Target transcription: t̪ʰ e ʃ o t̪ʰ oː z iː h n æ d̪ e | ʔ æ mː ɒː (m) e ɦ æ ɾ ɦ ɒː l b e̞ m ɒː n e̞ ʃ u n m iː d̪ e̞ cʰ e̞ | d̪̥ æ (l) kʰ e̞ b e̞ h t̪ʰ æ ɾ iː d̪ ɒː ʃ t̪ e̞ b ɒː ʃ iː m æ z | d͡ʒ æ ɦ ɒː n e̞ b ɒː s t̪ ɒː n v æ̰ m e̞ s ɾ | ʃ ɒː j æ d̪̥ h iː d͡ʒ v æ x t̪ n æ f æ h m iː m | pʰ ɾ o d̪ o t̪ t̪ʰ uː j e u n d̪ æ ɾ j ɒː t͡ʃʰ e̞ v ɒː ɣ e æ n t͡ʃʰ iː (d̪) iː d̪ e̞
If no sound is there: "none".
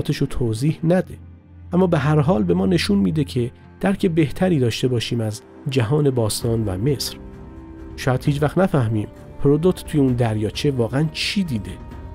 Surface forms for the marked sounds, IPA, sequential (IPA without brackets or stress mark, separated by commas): b, ɾ, d̪